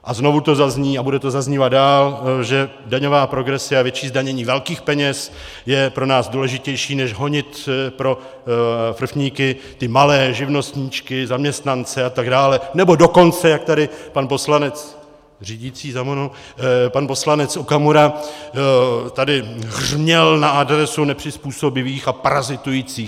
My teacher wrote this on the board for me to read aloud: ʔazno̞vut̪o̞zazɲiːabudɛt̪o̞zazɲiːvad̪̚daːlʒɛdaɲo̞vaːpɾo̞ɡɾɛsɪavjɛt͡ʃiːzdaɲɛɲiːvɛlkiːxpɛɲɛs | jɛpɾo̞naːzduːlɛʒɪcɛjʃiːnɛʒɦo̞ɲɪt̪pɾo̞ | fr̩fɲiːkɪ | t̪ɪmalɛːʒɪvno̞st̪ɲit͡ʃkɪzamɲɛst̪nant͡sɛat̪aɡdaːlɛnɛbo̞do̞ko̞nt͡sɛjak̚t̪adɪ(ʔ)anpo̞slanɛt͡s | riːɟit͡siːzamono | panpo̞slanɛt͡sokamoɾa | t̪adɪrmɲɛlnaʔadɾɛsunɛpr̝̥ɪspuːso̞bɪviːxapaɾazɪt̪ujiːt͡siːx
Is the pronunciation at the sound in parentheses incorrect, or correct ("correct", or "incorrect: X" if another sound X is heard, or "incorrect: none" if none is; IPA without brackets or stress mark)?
incorrect: p